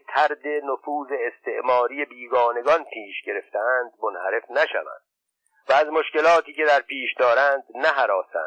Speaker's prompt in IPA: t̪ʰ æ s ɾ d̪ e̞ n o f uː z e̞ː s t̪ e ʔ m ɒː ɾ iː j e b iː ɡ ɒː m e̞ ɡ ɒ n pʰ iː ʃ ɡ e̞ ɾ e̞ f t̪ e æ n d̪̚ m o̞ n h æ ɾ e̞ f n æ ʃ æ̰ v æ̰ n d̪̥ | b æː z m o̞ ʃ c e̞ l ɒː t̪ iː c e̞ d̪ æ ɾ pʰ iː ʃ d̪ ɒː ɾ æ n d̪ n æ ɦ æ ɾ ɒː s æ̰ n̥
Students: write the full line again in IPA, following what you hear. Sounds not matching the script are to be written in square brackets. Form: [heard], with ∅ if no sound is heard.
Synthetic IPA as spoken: t̪ʰ æ [∅] ɾ d̪ e̞ n o f uː z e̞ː s t̪ e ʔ m ɒː ɾ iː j e b iː ɡ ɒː [n] e̞ ɡ ɒ n pʰ iː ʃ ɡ e̞ ɾ e̞ f t̪ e æ n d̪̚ m o̞ n h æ ɾ e̞ f n æ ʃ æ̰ v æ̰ n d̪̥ | [v] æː z m o̞ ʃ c e̞ l ɒː t̪ iː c e̞ d̪ æ ɾ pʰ iː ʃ d̪ ɒː ɾ æ n d̪ n æ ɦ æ ɾ ɒː s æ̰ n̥